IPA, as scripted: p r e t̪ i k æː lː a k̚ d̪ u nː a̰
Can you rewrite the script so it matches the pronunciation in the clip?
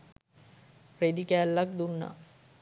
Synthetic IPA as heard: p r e d̪ i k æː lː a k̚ d̪ u nː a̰